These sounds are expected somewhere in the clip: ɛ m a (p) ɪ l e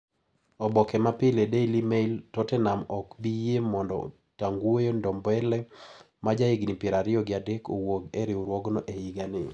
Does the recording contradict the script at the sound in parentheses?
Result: no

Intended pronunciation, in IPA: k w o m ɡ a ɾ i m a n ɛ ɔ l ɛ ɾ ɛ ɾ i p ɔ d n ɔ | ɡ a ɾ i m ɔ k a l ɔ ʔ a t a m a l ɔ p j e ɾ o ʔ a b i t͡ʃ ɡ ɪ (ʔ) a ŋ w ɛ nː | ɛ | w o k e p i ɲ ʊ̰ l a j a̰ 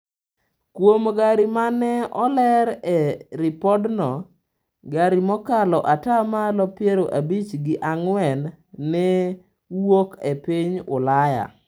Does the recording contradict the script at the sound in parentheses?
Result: no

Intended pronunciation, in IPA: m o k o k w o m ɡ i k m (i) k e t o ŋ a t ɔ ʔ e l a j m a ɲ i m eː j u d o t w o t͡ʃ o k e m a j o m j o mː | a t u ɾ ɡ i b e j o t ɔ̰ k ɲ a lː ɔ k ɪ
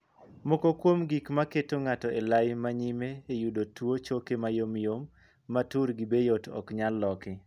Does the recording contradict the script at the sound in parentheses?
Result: yes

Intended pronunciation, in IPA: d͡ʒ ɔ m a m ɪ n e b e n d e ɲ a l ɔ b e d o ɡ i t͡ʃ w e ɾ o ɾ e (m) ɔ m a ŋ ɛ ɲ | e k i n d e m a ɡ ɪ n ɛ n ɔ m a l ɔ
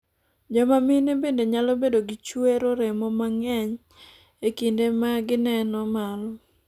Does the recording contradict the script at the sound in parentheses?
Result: no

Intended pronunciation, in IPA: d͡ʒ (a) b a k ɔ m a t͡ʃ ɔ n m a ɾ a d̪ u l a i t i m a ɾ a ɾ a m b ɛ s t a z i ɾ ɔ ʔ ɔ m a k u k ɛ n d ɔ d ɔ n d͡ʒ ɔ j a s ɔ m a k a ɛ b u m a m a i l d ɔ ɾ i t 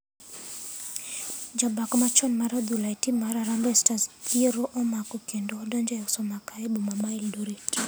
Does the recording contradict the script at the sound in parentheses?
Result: no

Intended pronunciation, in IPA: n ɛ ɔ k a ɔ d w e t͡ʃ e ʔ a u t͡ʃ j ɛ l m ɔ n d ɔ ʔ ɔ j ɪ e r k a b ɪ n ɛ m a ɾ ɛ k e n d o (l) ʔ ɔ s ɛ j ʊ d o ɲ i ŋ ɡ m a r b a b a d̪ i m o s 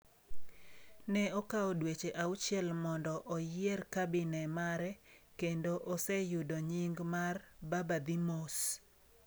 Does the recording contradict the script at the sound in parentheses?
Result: yes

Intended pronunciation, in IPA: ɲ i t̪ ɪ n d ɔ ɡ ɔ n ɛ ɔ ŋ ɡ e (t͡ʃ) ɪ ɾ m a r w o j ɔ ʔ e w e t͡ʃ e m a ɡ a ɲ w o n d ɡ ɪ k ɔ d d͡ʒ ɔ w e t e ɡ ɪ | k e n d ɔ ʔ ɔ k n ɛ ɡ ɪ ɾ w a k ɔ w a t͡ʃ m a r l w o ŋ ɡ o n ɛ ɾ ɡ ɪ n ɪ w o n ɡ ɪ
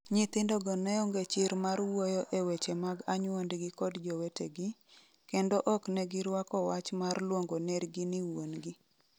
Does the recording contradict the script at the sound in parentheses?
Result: no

